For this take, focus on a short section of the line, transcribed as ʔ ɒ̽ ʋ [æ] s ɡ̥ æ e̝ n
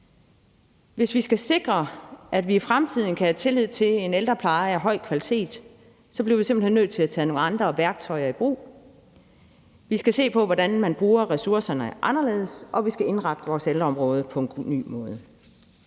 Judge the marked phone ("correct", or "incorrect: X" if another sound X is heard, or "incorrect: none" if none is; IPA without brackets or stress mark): incorrect: i